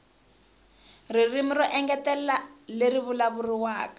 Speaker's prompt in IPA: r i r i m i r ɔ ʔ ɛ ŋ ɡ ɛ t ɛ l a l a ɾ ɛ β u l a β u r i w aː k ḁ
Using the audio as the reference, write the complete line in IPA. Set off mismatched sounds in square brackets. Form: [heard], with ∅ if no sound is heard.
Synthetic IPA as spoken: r i r i m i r ɔ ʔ ɛ ŋ ɡ ɛ t ɛ l a l [e] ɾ [i] β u l a β u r i w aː k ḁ